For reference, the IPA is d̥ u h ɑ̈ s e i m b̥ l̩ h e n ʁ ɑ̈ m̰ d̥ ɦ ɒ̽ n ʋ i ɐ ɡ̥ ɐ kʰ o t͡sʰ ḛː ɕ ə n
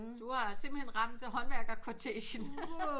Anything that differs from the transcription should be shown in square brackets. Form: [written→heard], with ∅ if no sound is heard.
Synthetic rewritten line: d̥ u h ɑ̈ s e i m b̥ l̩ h e n ʁ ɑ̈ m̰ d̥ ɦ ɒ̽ n ʋ [i→æ] ɐ ɡ̥ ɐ kʰ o t͡sʰ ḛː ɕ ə n